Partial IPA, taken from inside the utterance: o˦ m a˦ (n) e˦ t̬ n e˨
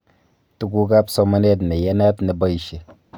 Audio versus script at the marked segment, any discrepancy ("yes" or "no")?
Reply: no